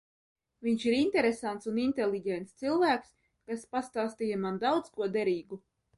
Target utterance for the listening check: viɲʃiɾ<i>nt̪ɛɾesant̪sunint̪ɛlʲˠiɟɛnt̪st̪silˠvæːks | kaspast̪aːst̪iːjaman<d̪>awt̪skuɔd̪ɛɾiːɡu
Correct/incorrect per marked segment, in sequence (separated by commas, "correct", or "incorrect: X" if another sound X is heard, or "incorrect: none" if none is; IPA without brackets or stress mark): correct, correct